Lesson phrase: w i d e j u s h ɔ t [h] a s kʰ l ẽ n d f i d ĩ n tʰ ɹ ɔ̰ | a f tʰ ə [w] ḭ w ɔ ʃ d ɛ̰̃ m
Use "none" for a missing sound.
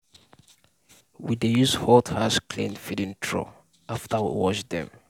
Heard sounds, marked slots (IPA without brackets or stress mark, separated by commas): h, w